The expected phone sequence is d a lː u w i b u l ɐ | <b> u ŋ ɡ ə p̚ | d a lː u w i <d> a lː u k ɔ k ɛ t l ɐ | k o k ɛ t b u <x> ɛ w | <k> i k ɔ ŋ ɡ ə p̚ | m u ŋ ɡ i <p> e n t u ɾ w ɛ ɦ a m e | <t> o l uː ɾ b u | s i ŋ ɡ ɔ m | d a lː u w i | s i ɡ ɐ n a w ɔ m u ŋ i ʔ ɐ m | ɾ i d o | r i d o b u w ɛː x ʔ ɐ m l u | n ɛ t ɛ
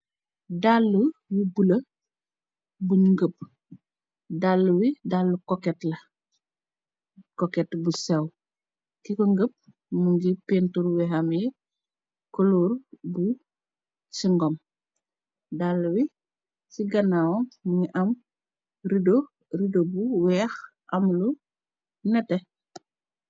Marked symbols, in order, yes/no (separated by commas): yes, yes, no, yes, yes, no